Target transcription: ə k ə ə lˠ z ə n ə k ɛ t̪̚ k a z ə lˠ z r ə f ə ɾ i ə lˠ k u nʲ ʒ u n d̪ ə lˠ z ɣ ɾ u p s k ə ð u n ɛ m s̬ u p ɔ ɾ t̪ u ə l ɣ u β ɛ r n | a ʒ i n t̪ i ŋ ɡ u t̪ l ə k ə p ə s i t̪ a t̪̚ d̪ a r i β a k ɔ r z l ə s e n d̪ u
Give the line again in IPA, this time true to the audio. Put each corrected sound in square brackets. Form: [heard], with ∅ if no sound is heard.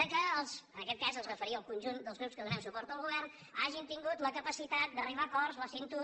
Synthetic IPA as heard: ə k ə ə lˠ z ə n ə k ɛ t̪̚ k a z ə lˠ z r ə f ə ɾ i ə lˠ k u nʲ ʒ u n d̪ ə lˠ z ɣ ɾ u p s k ə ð u n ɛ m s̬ u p ɔ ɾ t̪ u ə l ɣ u β ɛ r n | a ʒ i n t̪ i ŋ ɡ u t̪ l ə k ə p ə s i t̪ a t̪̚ d̪ [ə] r i β a k ɔ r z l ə s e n [t̪] u